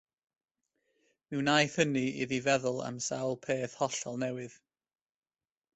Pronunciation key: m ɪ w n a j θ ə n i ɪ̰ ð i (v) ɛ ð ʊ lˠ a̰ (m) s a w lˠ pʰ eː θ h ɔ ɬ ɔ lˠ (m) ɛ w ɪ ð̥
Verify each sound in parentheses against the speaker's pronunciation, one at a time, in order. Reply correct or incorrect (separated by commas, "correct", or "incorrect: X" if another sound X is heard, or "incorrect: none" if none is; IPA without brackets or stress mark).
correct, correct, incorrect: n